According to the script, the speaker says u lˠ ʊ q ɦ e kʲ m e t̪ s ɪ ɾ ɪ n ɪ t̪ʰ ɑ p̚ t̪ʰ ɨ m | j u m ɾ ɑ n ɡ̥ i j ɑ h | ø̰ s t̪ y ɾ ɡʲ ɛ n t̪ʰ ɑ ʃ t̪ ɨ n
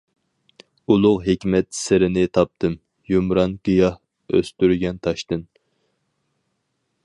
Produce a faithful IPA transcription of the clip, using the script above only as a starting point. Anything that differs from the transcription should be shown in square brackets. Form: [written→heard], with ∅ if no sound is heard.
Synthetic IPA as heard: u lˠ ʊ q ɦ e kʲ m [e→ɛ] t̪ s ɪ ɾ ɪ n ɪ t̪ʰ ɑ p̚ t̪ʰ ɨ m | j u m ɾ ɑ n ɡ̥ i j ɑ h | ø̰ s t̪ y ɾ ɡʲ ɛ n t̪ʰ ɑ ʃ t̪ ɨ n